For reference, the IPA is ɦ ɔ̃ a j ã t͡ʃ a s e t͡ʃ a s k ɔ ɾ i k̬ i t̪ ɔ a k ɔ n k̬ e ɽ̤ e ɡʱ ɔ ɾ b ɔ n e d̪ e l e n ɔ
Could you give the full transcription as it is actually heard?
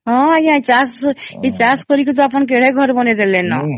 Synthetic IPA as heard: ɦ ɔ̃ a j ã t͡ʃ a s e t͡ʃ a s k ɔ ɾ i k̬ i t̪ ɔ a p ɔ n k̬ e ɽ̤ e ɡʱ ɔ ɾ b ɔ n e d̪ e l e n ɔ